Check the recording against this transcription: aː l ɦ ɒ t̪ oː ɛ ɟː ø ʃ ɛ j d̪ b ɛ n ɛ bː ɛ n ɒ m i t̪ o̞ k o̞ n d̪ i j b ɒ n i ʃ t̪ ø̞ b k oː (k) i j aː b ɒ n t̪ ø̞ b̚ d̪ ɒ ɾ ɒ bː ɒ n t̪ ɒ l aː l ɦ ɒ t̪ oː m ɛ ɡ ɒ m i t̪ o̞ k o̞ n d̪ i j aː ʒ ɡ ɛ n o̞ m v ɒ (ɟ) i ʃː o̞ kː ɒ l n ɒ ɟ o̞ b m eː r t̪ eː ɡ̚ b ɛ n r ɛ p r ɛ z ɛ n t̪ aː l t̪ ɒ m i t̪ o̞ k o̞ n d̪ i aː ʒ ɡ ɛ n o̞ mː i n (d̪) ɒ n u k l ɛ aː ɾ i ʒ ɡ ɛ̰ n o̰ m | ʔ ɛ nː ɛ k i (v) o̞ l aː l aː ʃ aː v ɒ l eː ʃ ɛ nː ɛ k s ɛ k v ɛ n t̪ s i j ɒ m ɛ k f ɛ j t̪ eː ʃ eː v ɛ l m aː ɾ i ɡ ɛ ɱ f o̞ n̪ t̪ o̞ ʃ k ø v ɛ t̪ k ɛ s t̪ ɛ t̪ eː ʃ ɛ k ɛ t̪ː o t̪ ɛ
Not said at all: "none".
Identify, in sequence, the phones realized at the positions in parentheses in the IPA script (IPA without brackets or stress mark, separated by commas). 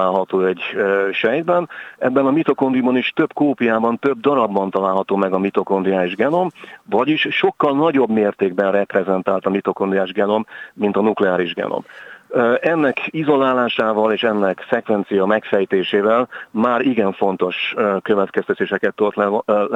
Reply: p, ɟ, t̪, z